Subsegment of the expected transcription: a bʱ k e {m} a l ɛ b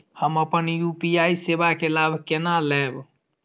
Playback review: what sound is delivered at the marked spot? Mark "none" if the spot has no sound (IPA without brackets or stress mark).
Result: n